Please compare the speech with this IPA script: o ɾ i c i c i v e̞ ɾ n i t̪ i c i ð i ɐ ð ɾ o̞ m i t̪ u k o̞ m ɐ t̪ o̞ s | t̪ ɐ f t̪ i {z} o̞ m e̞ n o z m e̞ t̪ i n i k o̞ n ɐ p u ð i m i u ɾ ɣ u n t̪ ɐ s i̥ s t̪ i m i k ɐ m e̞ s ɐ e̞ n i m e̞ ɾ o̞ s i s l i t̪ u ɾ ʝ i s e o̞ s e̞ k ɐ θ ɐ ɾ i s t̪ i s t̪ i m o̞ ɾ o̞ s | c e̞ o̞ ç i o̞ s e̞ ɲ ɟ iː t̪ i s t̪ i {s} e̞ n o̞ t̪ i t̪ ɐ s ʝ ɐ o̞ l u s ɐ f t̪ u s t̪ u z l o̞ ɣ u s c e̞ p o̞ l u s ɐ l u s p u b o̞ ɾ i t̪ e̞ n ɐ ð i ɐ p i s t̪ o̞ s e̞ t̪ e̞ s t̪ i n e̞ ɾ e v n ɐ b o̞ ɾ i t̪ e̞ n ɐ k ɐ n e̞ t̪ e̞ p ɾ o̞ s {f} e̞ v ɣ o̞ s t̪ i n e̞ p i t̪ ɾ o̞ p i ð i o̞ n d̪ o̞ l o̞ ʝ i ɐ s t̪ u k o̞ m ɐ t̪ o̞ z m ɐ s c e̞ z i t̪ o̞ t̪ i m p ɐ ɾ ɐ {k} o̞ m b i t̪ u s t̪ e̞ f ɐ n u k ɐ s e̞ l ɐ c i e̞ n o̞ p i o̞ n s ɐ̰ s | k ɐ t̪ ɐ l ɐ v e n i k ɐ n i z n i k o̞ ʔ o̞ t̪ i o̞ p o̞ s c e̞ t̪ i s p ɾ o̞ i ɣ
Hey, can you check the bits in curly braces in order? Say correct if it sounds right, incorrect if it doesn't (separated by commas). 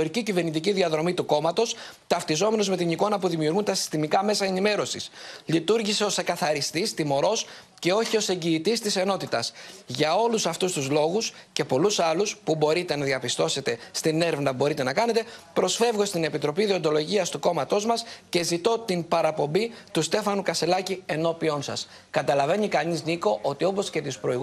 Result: correct, correct, correct, incorrect